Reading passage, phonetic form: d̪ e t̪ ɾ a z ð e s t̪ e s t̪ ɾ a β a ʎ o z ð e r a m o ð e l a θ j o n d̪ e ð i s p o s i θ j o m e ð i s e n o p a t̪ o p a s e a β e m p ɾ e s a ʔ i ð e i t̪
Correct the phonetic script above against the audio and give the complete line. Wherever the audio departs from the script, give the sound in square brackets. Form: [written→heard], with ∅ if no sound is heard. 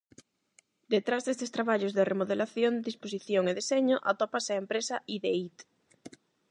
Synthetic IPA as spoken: d̪ e t̪ ɾ a z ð e s t̪ e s t̪ ɾ a β a ʎ o z ð e r [a→e] m o ð e l a θ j o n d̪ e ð i s p o s i θ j o [m→ŋ] e ð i s e [n→ɲ] o [p→ʔ] a t̪ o p a s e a [β→∅] e m p ɾ e s a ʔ i ð e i t̪